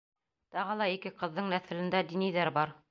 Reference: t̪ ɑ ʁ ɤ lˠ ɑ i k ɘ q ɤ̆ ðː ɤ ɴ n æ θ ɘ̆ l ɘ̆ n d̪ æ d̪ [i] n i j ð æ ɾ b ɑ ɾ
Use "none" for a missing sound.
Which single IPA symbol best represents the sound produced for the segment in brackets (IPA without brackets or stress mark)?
i